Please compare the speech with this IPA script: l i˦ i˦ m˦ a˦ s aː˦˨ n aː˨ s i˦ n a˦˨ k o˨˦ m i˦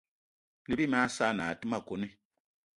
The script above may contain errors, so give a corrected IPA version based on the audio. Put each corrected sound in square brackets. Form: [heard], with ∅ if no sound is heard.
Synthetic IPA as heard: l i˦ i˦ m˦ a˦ s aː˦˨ n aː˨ [t] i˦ [m] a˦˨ k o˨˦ [n] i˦